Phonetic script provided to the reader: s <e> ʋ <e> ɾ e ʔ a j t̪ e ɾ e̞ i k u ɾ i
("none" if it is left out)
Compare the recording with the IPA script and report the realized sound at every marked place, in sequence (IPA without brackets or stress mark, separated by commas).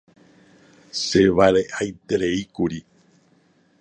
e, a